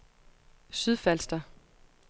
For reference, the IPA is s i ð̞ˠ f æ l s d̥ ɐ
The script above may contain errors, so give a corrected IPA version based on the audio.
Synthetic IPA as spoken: s y ð̞ˠ f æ l s d̥ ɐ